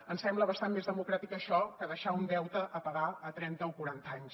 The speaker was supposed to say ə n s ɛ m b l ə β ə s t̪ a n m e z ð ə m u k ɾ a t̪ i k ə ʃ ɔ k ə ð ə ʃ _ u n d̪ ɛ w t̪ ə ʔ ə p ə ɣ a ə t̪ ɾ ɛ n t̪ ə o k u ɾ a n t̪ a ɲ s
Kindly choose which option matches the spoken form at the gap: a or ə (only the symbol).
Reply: a